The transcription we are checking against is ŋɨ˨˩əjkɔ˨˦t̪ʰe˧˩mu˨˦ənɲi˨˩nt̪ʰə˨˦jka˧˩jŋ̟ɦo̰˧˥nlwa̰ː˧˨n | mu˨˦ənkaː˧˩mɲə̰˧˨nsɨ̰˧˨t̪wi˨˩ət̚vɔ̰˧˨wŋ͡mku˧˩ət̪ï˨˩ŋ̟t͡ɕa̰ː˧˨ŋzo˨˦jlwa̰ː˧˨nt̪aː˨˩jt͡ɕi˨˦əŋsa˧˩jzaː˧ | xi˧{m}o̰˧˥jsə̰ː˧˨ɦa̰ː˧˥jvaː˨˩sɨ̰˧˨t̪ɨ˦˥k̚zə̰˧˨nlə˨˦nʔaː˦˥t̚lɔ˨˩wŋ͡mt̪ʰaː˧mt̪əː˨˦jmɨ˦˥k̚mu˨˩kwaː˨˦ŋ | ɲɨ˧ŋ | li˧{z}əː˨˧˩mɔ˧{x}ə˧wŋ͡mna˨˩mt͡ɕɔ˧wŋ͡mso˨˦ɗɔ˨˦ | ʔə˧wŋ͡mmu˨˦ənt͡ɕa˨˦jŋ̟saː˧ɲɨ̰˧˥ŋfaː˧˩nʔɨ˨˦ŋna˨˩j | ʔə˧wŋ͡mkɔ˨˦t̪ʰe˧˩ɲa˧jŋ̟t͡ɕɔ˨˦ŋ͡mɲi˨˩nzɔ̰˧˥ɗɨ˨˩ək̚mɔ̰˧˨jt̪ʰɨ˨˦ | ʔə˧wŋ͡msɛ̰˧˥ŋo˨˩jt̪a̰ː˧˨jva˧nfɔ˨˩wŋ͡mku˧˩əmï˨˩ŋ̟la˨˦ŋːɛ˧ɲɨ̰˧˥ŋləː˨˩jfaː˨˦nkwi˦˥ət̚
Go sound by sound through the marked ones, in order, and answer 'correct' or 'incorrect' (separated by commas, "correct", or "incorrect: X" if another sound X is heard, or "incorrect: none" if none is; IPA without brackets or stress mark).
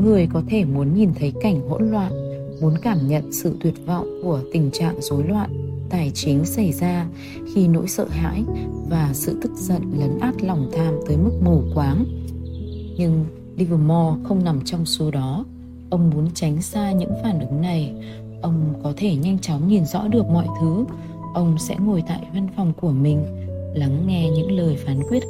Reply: incorrect: n, incorrect: v, correct